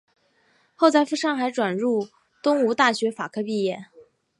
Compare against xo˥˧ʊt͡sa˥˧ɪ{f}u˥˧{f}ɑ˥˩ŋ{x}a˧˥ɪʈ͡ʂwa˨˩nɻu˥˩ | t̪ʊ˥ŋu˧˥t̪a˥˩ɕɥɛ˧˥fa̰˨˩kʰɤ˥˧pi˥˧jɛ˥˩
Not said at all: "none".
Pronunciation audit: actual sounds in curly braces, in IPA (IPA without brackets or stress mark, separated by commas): f, ʂ, x